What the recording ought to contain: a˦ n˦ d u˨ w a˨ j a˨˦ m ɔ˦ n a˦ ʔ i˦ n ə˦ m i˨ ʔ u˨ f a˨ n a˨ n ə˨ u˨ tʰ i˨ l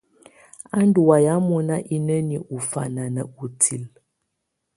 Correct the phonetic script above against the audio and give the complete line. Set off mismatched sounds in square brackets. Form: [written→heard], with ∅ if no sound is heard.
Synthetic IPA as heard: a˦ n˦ d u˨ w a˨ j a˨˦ m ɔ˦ n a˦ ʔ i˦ n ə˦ [m→n] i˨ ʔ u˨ f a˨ n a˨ n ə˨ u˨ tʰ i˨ l